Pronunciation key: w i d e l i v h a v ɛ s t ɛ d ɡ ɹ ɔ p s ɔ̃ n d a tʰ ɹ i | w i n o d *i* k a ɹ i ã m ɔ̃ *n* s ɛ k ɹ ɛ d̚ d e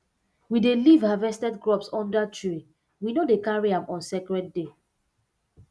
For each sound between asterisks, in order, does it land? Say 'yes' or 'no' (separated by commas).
no, yes